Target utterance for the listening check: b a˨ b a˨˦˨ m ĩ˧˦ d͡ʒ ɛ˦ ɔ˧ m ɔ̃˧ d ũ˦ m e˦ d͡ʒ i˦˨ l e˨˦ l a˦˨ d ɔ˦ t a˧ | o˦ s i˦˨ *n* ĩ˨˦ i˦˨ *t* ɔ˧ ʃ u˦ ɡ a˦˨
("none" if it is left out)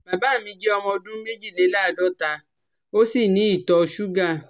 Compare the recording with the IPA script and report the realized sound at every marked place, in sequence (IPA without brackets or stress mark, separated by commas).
n, t